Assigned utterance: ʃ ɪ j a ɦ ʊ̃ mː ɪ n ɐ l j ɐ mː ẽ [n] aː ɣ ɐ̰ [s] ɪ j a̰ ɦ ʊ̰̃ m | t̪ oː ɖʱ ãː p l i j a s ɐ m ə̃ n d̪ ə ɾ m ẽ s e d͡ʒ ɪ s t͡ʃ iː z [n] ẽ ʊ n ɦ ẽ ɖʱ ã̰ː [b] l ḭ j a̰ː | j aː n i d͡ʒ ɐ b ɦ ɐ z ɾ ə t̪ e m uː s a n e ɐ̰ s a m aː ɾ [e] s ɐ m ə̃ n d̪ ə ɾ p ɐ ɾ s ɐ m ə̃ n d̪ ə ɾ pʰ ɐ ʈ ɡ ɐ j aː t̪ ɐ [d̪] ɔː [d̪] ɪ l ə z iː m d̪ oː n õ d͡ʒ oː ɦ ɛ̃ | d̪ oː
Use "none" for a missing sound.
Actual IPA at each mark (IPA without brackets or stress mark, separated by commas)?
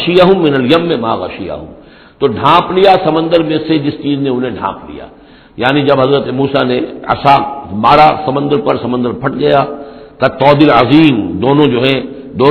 m, ʃ, n, p, a, t̪, d̪